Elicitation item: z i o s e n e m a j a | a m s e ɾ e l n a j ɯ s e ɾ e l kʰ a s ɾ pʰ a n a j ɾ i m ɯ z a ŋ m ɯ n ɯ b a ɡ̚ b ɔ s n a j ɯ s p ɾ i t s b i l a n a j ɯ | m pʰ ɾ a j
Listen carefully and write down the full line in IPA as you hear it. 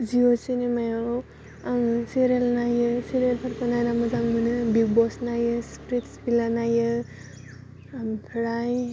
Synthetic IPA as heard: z i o s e n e m a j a | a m s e ɾ e l n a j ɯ s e ɾ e l pʰ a ɾ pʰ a n a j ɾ a m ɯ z a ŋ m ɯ n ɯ b i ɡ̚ b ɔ s n a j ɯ s p ɾ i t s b i l a n a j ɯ | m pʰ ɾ a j